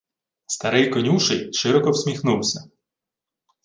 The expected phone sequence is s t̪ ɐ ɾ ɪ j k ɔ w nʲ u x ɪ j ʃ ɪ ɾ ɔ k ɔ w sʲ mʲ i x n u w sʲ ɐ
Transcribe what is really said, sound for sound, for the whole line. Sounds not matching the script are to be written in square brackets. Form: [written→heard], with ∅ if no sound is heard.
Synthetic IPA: s t̪ ɐ ɾ ɪ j k ɔ [w→∅] nʲ u [x→ʃ] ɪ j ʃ ɪ ɾ ɔ k ɔ w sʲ mʲ i x n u w sʲ ɐ